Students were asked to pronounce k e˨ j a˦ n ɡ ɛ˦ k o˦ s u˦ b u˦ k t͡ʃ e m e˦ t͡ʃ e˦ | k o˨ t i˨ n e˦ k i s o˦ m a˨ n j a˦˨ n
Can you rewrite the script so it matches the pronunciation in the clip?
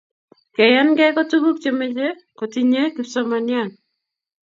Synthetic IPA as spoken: k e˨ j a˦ n ɡ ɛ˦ k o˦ t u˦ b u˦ k t͡ʃ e m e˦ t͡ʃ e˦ | k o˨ t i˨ ɲ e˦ k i s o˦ m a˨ n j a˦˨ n